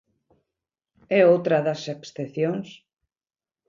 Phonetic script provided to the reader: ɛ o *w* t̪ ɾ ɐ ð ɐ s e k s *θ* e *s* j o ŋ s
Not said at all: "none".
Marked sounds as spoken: w, θ, θ

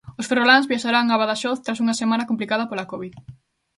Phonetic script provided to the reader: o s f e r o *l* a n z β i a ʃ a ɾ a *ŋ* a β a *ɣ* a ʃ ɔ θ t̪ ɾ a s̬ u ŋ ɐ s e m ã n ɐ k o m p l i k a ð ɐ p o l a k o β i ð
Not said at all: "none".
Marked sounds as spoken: l, ŋ, ð

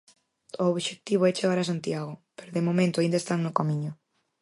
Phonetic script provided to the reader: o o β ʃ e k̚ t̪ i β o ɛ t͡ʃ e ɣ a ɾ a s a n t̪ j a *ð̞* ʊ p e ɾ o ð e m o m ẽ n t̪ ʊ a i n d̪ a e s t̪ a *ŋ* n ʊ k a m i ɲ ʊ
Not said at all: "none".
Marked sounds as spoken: ɣ̞, ŋ

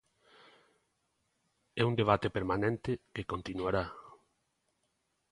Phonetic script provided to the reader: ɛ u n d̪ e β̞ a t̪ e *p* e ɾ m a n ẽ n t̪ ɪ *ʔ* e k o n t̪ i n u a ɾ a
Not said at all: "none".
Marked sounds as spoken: p, k

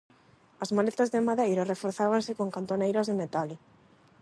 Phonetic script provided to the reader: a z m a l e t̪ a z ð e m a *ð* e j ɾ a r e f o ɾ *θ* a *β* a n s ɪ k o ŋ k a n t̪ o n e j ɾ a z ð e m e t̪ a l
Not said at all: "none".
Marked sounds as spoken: ð, θ, β

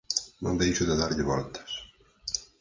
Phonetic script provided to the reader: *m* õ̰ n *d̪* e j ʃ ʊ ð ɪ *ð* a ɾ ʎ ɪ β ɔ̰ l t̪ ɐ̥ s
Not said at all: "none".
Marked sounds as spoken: n, d̪, ð

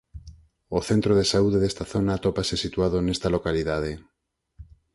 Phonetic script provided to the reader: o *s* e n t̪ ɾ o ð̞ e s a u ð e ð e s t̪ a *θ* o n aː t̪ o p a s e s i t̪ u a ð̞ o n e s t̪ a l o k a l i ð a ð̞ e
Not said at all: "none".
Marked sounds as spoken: θ, θ

